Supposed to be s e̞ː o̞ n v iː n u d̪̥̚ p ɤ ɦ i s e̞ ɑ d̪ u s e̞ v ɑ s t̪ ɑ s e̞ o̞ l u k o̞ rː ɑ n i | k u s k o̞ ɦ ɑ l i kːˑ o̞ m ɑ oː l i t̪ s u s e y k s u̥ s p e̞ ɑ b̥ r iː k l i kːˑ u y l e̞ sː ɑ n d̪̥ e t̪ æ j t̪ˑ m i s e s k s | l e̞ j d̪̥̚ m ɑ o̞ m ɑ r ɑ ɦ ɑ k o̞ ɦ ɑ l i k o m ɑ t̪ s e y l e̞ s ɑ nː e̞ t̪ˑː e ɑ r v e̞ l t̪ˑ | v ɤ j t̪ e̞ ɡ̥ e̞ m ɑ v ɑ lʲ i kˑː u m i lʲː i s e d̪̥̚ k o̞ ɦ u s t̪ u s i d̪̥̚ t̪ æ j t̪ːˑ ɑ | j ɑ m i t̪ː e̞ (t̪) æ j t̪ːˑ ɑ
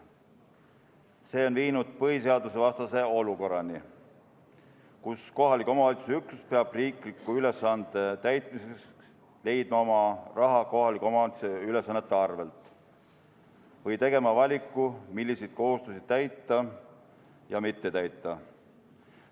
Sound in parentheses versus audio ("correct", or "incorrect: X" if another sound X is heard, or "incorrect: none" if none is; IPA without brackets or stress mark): correct